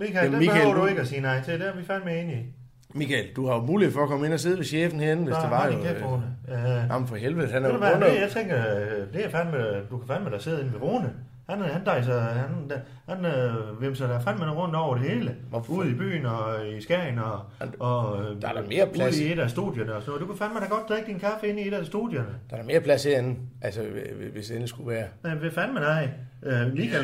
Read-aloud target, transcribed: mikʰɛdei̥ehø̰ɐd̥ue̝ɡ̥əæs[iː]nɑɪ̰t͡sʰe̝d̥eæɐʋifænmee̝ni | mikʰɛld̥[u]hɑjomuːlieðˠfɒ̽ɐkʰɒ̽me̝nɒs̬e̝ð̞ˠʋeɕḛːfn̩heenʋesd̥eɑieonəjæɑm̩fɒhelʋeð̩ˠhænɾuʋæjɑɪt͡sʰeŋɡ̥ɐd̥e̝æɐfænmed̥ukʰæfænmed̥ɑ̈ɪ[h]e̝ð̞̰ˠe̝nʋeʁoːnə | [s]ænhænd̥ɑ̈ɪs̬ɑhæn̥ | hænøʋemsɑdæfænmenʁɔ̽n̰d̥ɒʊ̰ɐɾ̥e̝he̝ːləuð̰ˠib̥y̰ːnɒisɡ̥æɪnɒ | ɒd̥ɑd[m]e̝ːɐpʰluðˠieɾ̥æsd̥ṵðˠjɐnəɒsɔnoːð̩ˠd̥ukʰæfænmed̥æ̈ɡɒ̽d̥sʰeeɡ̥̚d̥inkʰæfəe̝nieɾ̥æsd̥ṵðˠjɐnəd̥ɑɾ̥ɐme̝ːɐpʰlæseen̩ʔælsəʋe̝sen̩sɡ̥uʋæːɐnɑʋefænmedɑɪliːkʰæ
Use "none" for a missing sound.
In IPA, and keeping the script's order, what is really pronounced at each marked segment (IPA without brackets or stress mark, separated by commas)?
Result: iː, u, s, h, m